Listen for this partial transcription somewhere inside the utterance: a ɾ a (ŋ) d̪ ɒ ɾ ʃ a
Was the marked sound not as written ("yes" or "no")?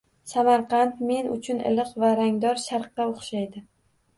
no